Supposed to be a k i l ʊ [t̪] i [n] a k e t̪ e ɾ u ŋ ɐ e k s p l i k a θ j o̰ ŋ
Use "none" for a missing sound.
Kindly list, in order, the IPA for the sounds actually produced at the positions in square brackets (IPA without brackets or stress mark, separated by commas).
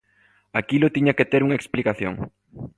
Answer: t̪, ɲ